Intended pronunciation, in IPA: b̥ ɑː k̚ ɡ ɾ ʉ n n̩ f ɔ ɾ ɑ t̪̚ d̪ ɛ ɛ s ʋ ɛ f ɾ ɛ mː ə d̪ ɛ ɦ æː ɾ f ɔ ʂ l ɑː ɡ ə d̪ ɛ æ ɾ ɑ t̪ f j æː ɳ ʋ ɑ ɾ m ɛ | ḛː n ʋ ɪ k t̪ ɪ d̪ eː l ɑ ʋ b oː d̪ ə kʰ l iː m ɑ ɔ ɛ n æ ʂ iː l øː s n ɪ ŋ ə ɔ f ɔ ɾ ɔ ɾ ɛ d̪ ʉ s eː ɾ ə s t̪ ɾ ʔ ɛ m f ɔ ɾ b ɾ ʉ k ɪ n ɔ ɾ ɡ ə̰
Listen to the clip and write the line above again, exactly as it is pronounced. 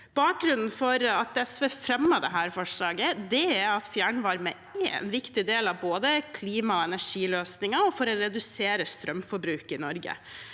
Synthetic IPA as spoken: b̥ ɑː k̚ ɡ ɾ ʉ n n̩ f ɔ ɾ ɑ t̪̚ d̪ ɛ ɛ s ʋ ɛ f ɾ ɛ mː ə d̪ ɛ ɦ æː ɾ f ɔ ʂ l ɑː ɡ ə d̪ ɛ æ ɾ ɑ t̪ f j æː ɳ ʋ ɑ ɾ m ɛ | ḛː n ʋ ɪ k t̪ ɪ d̪ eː l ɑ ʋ b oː d̪ ə kʰ l iː m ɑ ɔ ɛ n æ ʂ iː l øː s n ɪ ŋ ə ɔ f ɔ ɾ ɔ ɾ ɛ d̪ ʉ s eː ɾ ə s t̪ ɾ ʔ œ m f ɔ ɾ b ɾ ʉː k ɪ n ɔ ɾ ɡ ə̰